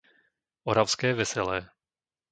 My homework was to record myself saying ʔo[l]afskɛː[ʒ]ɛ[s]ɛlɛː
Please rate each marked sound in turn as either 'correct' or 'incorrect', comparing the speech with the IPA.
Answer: incorrect: ɾ, incorrect: v, correct

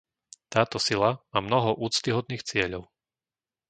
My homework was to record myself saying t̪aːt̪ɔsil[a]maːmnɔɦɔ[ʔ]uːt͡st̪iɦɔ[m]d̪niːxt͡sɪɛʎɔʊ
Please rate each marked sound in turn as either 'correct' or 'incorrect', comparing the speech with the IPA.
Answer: correct, correct, incorrect: none

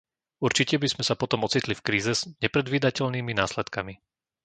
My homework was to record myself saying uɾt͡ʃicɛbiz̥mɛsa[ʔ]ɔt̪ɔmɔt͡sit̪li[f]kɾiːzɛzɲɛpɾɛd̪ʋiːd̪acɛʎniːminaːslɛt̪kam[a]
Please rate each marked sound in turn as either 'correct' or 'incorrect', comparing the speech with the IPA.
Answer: incorrect: p, correct, incorrect: i

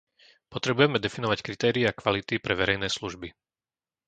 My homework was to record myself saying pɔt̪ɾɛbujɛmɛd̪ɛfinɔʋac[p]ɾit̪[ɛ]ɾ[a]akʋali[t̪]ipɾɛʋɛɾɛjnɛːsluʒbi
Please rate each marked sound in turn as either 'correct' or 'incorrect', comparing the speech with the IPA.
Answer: incorrect: k, incorrect: ɛː, incorrect: i, correct

